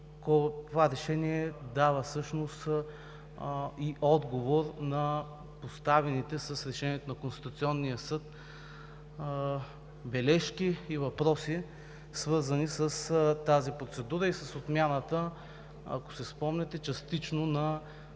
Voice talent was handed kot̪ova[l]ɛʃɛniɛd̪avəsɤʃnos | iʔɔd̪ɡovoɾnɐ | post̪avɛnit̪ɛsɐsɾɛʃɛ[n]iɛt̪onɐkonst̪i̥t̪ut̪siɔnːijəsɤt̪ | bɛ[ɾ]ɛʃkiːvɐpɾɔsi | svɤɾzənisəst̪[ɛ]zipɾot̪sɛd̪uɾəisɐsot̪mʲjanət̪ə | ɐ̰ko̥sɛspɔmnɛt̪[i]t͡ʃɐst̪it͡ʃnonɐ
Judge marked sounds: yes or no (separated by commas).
no, yes, no, no, no